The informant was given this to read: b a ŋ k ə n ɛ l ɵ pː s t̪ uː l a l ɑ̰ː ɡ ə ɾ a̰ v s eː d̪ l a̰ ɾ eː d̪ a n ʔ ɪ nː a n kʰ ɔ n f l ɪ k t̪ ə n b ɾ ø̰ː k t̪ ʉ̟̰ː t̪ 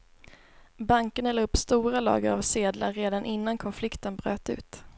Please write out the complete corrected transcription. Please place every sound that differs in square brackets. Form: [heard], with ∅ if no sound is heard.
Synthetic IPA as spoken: b a ŋ k ə n ɛ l ɵ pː s t̪ uː [ɾ] a l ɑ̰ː ɡ ə ɾ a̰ v s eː d̪ l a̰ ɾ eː d̪ a n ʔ ɪ nː a n kʰ ɔ n f l ɪ k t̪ ə n b ɾ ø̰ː [∅] t̪ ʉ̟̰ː t̪